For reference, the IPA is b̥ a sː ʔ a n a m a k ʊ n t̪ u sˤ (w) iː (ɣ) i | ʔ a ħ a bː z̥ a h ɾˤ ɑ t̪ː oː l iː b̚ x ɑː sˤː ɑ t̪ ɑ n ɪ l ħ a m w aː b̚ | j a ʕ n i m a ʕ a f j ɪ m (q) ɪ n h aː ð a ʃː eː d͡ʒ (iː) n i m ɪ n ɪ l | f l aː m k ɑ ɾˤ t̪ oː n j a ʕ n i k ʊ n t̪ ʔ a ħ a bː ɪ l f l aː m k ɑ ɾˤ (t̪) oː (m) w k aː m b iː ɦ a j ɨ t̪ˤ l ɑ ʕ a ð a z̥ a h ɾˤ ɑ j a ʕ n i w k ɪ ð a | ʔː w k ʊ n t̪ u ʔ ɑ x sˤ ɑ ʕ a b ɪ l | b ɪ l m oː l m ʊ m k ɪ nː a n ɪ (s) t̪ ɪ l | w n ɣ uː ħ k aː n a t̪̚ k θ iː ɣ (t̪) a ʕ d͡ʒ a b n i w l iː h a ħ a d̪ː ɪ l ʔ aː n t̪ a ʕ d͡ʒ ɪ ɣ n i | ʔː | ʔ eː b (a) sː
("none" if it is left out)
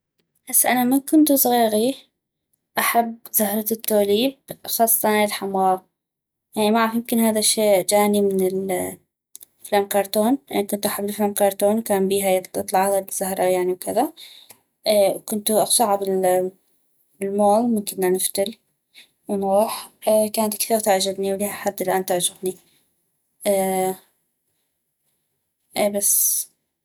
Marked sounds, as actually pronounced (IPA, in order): ɣ, ɣ, k, aː, t̪, n, f, t̪, a

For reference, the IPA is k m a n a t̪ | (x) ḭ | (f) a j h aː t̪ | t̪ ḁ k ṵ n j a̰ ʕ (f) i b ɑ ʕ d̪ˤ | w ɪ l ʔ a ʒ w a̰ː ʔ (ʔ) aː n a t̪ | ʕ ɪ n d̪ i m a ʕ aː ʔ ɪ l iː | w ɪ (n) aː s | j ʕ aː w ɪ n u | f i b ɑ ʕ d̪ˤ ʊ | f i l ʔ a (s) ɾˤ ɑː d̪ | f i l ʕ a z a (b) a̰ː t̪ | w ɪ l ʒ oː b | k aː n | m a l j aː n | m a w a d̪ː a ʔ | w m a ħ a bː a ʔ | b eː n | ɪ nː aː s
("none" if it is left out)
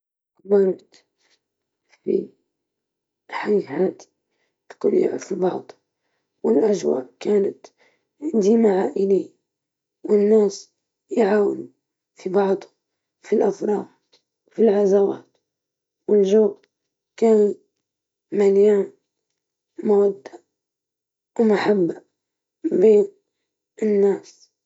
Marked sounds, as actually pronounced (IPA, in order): f, ħ, f, k, nː, f, w

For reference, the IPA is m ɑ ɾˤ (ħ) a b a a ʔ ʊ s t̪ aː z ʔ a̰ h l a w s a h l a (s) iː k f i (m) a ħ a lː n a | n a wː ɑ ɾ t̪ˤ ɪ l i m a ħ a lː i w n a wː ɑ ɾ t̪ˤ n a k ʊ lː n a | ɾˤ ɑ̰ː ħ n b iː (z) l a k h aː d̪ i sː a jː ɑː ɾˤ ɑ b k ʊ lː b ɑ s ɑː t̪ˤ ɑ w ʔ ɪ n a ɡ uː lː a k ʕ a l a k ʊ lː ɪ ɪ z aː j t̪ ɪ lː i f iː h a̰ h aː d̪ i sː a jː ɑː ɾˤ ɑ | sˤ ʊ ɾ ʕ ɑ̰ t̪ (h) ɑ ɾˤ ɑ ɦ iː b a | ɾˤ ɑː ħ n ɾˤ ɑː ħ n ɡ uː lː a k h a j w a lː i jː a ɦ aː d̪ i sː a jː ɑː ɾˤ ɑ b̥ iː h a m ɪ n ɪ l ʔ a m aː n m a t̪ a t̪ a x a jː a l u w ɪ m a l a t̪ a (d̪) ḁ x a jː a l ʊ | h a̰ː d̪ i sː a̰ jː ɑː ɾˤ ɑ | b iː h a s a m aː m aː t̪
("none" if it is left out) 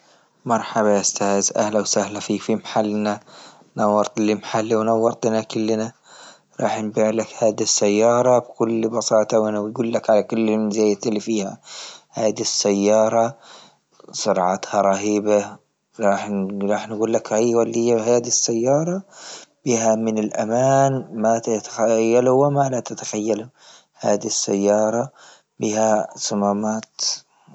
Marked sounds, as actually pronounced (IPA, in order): ħ, f, m, ʕ, h, t̪

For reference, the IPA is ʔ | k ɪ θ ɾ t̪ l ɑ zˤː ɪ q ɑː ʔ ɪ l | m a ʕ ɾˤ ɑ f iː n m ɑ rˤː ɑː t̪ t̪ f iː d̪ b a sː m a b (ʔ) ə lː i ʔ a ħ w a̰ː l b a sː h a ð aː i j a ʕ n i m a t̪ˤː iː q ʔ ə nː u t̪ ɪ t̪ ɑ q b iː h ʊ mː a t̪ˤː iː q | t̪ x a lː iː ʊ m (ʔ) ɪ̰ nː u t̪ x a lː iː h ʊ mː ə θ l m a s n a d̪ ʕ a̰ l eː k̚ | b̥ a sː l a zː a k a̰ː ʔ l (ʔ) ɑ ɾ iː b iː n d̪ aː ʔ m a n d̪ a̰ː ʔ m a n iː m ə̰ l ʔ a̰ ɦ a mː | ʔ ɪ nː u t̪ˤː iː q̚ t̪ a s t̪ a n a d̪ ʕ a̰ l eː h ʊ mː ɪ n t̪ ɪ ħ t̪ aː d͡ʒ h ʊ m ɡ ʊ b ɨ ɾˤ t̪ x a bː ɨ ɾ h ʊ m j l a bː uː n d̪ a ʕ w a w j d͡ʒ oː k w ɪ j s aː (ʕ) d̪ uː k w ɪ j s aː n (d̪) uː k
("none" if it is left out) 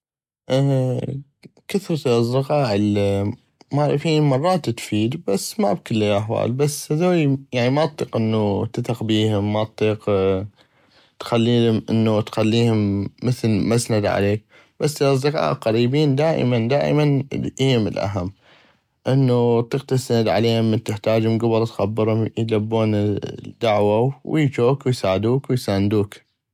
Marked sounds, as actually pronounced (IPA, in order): k, ʔ, q, ʕ, d̪

